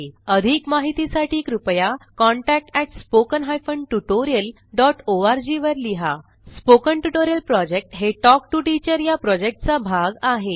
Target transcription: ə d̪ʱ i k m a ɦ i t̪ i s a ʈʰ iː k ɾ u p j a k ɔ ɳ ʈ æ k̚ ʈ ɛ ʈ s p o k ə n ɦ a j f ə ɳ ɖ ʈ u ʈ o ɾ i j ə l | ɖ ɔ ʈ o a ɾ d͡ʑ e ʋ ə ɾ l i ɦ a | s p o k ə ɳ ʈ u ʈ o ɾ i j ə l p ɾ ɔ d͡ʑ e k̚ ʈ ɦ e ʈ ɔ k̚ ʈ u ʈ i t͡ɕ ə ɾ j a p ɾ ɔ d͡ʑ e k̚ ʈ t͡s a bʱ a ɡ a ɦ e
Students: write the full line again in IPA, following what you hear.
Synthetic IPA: ə d̪ʱ i k m a ɦ i t̪ i s a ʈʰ iː k ɾ u p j a k ɔ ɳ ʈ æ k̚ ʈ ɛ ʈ s p o k ə n ɦ a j f ə ɳ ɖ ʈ u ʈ o ɾ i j ə l | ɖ ɔ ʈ o a ɾ d͡ʑ i ʋ ə ɾ l i ɦ a | s p o k ə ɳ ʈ u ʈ o ɾ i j ə l p ɾ ɔ d͡ʑ e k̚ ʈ ɦ e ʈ ɔ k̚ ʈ u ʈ i t͡ɕ ə ɾ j a p ɾ ɔ d͡ʑ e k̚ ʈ t͡s a bʱ a ɡ a ɦ e